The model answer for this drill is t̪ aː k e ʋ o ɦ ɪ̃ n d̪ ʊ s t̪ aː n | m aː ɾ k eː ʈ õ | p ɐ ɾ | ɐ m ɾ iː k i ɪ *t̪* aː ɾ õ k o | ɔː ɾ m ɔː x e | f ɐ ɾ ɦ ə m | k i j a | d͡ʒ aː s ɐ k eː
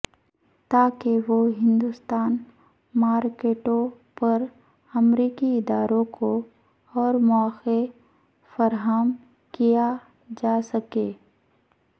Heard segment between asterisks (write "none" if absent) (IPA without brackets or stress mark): d̪